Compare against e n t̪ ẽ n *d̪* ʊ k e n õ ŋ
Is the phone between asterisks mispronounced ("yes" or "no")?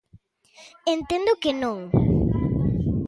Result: no